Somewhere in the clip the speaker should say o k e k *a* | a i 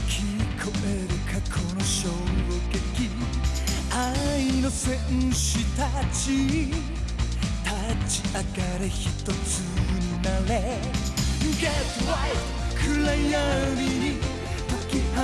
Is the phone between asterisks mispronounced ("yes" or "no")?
yes